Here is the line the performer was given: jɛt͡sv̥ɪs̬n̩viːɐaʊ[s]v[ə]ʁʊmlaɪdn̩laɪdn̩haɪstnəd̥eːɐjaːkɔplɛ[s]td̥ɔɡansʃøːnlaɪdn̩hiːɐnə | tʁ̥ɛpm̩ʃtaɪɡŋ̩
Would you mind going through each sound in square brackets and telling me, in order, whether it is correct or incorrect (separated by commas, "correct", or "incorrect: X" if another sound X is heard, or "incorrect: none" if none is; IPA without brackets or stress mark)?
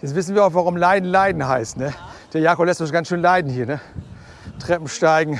incorrect: x, incorrect: a, correct